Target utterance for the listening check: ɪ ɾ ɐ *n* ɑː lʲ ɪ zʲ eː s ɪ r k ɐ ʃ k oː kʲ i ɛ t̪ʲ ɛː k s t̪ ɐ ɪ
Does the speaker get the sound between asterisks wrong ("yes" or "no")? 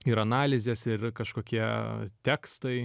no